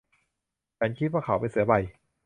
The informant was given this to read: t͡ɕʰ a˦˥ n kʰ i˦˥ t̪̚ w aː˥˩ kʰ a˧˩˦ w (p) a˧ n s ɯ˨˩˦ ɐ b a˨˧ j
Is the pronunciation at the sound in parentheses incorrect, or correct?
correct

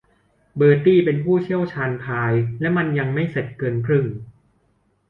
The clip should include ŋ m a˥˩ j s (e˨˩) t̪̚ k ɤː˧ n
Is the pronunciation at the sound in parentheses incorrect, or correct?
correct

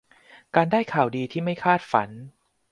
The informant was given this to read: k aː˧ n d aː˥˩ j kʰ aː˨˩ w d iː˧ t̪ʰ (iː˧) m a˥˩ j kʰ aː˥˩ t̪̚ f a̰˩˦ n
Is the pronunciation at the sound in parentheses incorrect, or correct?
incorrect: iː˥˩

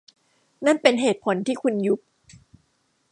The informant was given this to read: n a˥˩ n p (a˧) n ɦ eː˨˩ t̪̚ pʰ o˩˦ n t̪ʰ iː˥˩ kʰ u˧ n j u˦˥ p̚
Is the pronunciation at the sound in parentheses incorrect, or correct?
incorrect: e˧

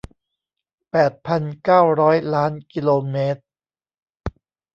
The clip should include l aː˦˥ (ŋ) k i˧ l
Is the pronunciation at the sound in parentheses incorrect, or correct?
incorrect: n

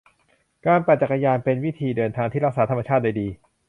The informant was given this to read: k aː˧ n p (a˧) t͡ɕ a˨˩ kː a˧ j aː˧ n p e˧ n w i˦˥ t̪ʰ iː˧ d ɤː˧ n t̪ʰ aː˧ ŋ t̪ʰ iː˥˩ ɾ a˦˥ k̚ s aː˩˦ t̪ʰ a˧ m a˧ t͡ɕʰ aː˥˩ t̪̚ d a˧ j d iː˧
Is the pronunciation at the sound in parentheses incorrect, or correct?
incorrect: a˨˩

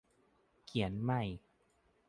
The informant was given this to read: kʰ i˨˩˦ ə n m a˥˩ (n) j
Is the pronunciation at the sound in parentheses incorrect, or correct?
incorrect: none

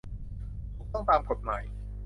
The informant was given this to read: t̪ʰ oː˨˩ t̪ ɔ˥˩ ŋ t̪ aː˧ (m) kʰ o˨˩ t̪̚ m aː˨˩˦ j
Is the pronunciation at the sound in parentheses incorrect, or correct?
correct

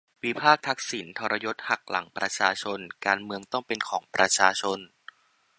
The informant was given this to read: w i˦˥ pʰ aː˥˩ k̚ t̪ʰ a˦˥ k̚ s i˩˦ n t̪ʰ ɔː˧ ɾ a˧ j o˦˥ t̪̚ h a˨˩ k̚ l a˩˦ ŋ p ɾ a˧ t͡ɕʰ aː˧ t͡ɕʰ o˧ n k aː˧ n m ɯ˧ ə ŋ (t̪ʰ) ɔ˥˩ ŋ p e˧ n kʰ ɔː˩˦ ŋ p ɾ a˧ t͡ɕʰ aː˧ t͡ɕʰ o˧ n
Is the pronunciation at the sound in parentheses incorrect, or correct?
incorrect: t̪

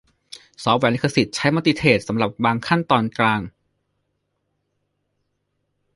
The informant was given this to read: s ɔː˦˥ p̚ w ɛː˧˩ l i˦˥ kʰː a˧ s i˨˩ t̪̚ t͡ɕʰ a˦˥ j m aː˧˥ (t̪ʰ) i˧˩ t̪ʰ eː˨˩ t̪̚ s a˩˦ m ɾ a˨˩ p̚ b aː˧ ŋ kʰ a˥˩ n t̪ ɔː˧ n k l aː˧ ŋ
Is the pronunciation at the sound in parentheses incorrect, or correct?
incorrect: t̪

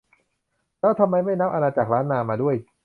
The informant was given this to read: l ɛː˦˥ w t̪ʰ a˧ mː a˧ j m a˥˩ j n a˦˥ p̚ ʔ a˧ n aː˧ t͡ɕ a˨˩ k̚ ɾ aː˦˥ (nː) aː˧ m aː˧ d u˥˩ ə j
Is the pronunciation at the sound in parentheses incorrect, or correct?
correct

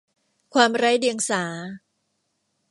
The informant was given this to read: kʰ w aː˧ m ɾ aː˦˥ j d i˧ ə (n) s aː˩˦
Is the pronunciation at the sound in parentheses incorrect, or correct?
incorrect: ŋ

